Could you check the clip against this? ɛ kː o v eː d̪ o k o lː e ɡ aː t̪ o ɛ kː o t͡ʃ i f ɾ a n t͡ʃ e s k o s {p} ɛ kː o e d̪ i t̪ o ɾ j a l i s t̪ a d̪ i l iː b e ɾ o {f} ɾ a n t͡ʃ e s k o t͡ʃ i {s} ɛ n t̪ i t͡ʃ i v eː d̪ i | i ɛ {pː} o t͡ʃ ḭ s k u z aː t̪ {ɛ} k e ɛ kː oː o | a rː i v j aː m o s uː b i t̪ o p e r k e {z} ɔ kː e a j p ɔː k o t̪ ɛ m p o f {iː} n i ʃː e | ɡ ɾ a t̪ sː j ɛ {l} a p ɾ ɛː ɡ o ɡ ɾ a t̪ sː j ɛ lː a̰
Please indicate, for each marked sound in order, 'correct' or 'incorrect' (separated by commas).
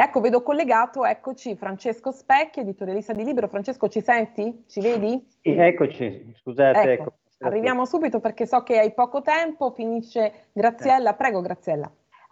correct, correct, correct, incorrect, correct, incorrect, incorrect, incorrect